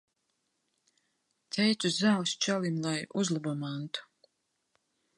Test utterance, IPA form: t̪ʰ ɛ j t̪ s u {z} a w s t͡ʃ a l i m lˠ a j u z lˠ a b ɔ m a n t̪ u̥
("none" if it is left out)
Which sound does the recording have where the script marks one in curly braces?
z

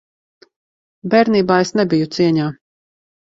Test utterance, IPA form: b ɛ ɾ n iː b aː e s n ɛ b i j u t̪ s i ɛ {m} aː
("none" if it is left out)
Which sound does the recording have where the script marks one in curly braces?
ɲ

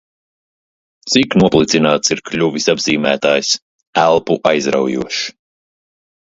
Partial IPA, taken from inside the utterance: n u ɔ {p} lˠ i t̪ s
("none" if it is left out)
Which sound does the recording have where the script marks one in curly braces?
p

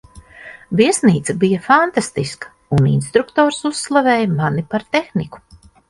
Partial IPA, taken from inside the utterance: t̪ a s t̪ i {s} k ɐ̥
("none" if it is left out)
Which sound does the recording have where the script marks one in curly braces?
s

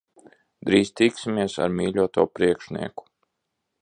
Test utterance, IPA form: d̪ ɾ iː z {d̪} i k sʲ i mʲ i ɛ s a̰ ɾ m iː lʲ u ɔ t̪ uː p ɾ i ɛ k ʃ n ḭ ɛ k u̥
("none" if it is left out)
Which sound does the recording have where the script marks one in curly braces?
t̪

